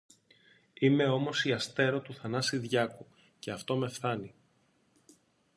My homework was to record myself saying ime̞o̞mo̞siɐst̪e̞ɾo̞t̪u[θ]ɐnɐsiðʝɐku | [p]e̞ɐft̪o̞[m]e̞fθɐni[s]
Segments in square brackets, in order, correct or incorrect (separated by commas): correct, incorrect, correct, incorrect